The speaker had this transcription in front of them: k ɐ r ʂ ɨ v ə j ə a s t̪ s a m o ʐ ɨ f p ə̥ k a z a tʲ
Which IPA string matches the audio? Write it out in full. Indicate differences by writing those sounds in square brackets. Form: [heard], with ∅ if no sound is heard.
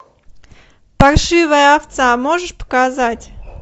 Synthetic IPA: [p] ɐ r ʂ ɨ v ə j ə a [f] t̪ s a m o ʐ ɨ [ʂ] p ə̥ k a z a tʲ